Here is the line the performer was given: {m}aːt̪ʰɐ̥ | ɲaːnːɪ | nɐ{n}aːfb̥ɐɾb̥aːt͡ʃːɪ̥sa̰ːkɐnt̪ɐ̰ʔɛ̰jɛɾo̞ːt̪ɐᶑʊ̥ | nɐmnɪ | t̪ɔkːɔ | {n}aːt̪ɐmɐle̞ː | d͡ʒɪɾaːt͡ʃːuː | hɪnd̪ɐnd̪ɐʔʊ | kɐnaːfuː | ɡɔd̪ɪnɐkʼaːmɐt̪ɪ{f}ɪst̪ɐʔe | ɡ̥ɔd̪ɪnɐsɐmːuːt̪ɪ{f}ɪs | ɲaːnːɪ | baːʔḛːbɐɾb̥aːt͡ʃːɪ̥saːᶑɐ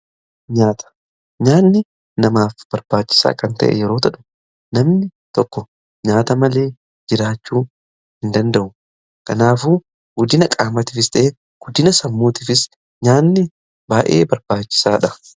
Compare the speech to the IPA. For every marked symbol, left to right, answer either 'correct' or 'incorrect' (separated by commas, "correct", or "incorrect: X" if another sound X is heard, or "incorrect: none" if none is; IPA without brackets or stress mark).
incorrect: ɲ, incorrect: m, incorrect: ɲ, correct, correct